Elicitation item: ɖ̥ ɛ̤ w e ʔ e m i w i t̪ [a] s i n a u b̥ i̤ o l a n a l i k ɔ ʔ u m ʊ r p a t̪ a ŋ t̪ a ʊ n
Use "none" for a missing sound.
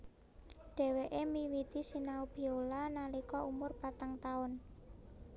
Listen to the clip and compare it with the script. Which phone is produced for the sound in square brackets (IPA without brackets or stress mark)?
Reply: i